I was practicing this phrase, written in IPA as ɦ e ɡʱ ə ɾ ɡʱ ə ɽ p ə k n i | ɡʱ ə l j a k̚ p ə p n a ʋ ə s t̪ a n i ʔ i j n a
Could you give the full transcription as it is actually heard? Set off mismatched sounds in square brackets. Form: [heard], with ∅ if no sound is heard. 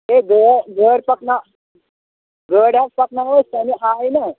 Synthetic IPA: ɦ e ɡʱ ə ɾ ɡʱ ə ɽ p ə k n [a] | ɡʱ ə [ɽ] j a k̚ p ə [k] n a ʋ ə s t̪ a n i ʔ [a] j n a